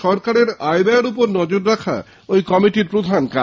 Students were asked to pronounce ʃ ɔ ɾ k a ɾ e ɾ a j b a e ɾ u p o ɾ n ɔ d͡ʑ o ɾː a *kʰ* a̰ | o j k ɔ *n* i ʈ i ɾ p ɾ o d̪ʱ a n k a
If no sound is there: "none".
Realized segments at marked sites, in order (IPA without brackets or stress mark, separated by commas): kʰ, m